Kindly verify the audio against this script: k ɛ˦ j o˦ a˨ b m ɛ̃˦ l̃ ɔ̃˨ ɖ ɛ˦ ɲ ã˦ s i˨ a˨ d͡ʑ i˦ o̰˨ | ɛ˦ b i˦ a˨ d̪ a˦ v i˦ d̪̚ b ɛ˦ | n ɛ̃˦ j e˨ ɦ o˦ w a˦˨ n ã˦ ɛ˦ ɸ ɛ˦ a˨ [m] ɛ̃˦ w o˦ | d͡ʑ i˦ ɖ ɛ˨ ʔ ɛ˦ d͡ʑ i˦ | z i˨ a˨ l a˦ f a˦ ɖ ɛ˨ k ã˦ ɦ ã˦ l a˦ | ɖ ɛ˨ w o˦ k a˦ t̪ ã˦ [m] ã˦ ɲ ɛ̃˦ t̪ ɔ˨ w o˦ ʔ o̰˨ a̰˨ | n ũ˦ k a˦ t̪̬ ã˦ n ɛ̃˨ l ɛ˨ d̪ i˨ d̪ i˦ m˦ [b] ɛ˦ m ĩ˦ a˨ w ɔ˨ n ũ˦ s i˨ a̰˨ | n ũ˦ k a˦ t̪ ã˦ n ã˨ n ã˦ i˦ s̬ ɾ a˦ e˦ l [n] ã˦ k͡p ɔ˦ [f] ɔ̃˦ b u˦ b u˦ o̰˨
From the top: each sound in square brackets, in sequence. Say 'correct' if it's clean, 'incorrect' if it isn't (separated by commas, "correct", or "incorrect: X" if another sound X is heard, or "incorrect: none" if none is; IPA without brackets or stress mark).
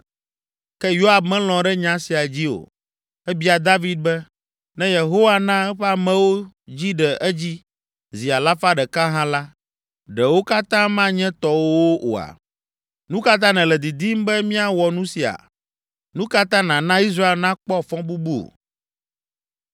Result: correct, correct, correct, correct, correct